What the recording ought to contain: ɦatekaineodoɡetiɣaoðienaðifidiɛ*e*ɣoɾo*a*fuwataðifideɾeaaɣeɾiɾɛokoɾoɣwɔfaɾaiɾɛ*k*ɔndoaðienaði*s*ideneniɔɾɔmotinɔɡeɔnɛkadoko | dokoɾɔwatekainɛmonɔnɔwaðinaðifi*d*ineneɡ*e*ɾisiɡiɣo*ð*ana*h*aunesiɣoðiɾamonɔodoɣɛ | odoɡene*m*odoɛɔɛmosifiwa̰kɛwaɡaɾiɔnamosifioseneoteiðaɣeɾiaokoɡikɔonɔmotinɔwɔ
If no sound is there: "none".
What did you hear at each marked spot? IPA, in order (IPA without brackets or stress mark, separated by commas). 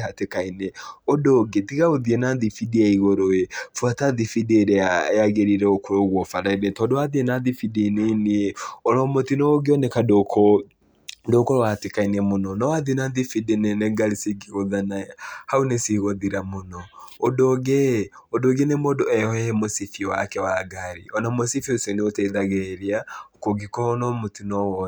i, e, t, f, d, a, ð, h, m